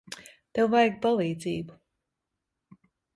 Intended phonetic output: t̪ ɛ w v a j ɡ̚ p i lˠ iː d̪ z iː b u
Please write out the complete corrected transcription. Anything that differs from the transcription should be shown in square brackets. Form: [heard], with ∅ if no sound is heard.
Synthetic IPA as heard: t̪ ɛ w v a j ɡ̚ p [a] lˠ iː d̪ z iː b u